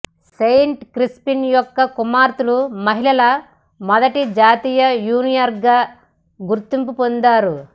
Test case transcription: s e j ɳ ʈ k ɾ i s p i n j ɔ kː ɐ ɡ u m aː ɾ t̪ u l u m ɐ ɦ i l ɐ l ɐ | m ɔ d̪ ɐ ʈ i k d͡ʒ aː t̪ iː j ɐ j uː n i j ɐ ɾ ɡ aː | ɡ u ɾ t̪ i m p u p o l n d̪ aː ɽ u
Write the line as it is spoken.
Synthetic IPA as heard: s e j ɳ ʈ k ɾ i s p i n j ɔ kː ɐ k u m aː ɾ t̪ u l u m ɐ ɦ i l ɐ l ɐ | m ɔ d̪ ɐ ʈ i d͡ʒ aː t̪ iː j ɐ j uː n i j ɐ ɾ ɡ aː | ɡ u ɾ t̪ i m p u p o n d̪ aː ɾ u